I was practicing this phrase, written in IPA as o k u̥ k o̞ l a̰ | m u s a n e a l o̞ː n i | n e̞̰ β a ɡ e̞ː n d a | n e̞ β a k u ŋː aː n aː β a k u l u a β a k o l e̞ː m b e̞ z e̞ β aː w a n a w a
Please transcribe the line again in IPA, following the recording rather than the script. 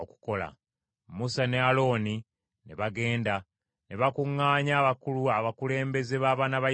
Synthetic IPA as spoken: o k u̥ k o̞ l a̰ | m u s a n e a l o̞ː n i | n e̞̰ β a ɡ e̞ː n d a | n e̞ β a k u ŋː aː ɲ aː β a k u l u a β a k u l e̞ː m b e̞ z e̞ β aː β a n a β a